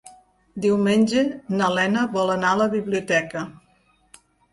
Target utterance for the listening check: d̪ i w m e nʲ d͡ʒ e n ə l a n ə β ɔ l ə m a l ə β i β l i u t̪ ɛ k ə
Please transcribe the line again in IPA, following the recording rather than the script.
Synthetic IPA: d̪ i w m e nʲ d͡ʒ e n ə l ɛ n ə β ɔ l ə n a l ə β i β l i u t̪ ɛ k ə